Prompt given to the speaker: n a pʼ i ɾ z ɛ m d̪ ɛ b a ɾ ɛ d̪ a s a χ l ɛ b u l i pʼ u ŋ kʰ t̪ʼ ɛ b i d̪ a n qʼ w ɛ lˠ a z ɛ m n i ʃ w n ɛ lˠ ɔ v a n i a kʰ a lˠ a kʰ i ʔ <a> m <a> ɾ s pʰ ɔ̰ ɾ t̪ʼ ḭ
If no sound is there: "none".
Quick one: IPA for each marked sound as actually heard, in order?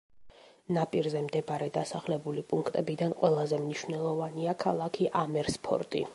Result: a, ɛ

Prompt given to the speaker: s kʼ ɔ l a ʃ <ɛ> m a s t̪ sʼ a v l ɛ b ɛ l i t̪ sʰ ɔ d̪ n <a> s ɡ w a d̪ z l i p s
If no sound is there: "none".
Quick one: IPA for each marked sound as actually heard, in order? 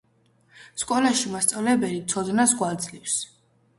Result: i, a

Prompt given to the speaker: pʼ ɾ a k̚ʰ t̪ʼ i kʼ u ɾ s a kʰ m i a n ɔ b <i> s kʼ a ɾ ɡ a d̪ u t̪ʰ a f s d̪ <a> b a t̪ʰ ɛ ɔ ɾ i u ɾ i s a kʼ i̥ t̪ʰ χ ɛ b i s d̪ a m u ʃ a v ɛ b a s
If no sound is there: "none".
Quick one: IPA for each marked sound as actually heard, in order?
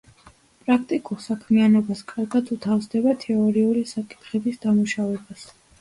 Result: a, ɛ

